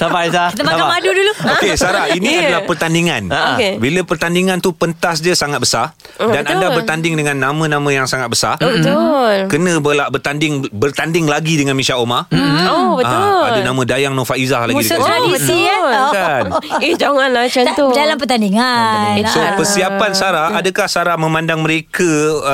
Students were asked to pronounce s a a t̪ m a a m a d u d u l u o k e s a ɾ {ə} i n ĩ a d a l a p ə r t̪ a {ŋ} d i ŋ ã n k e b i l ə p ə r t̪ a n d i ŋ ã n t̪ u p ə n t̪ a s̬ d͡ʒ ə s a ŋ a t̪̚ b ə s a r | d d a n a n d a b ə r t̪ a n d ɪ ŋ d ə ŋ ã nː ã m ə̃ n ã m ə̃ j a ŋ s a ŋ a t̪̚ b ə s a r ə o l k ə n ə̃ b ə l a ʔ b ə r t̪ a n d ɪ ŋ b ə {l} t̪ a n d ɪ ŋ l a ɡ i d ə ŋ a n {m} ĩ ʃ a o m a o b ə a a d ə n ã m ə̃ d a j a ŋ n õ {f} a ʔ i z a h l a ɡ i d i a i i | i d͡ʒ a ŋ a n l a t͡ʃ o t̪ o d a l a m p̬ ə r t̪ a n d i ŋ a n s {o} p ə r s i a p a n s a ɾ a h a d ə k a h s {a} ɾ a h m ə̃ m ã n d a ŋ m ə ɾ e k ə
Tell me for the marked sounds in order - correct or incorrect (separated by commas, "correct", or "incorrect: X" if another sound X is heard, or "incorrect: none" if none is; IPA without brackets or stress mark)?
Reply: incorrect: a, incorrect: n, incorrect: r, correct, correct, correct, correct